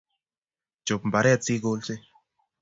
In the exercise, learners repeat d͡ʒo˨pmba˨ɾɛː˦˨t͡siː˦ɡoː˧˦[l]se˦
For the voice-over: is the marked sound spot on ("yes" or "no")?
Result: yes